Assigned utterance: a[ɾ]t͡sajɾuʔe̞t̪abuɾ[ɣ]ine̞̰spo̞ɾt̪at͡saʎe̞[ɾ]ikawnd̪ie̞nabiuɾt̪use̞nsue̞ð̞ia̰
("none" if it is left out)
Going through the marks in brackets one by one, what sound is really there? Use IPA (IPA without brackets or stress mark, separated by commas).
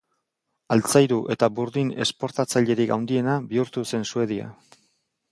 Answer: l, ð, ɾ